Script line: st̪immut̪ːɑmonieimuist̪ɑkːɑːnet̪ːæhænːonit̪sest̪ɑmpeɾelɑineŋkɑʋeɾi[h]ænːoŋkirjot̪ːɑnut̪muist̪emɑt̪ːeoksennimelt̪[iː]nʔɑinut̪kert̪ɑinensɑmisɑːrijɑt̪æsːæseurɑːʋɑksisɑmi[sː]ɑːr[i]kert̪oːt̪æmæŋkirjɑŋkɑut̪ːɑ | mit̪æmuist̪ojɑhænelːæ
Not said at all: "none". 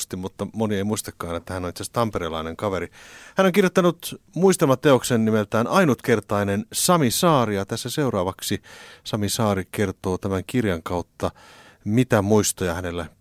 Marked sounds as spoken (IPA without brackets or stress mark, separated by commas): h, æː, s, i